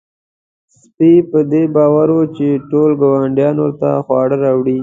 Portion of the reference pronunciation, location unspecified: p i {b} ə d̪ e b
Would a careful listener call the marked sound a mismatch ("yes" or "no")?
yes